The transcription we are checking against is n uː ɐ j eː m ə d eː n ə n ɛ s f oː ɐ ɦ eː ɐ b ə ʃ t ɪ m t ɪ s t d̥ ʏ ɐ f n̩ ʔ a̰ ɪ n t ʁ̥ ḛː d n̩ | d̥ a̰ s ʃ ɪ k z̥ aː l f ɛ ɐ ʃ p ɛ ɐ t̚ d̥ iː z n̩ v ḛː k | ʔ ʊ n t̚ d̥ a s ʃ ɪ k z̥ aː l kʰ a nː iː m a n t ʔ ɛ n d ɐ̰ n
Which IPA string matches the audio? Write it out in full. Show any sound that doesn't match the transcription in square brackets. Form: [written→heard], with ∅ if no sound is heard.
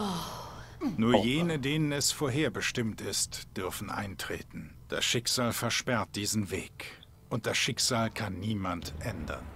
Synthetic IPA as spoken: n uː ɐ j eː [m→n] ə d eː n ə n ɛ s f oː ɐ ɦ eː ɐ b ə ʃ t ɪ m t ɪ s t d̥ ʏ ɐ f n̩ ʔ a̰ ɪ n t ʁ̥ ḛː [d→t] n̩ | d̥ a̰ s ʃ ɪ k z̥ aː l f ɛ ɐ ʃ p ɛ ɐ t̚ d̥ iː z n̩ v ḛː k | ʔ ʊ n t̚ d̥ a s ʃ ɪ k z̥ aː l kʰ a nː iː m a n t ʔ ɛ n d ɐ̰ n